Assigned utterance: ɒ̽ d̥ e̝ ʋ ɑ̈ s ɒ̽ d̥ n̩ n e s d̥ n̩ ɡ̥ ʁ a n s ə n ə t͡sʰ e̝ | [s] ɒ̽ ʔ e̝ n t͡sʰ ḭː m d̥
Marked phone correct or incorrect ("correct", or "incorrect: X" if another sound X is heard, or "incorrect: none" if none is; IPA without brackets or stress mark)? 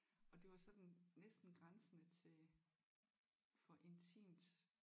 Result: incorrect: f